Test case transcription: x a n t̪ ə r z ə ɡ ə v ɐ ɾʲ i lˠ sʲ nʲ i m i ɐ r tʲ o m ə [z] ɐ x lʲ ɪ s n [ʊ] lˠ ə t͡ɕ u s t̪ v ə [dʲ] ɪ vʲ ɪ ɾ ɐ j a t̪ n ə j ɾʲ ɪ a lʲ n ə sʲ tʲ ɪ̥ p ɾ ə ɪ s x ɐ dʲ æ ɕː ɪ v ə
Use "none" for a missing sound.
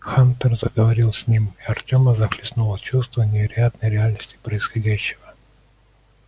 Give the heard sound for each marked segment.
z, u, nʲ

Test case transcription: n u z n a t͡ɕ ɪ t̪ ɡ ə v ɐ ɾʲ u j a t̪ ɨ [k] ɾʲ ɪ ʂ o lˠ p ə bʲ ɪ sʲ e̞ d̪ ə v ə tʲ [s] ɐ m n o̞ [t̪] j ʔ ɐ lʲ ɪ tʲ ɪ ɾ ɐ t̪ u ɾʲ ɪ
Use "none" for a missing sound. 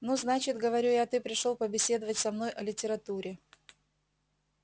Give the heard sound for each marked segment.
p, s, none

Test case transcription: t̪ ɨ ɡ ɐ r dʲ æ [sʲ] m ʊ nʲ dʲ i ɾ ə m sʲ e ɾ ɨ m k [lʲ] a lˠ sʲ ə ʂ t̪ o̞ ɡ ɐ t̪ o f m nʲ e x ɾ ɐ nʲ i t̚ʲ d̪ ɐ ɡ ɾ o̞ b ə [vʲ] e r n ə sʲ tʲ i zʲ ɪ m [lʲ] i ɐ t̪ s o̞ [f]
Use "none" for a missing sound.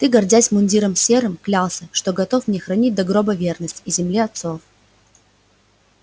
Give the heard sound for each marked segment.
sʲ, lʲ, vʲ, lʲ, f

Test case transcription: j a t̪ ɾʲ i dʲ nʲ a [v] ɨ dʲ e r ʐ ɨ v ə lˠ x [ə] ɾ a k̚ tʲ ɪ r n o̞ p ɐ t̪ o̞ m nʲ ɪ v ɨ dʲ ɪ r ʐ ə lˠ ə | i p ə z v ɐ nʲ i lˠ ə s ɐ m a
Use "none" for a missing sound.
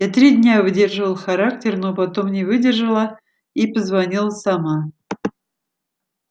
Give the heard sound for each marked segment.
v, ɐ

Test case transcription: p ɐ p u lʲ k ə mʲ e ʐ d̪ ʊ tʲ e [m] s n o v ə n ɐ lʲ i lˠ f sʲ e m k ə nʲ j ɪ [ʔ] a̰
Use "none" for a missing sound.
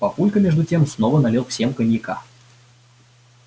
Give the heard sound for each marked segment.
m, k

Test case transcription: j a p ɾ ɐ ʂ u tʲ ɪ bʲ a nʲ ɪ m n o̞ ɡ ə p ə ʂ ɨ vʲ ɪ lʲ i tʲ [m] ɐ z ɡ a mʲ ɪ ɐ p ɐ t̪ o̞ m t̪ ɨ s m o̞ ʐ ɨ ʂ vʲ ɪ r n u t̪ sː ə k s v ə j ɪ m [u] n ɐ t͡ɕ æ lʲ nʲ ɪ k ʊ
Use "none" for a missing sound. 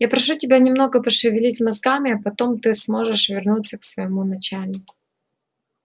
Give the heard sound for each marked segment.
m, u

